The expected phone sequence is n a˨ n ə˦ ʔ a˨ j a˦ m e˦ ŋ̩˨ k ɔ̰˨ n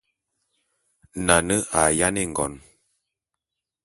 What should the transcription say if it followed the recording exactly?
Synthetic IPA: n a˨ n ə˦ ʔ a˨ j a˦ n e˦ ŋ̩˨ ɡ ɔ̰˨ n